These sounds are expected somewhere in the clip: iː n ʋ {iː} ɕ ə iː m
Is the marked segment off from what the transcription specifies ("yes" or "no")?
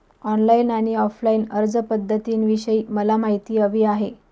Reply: yes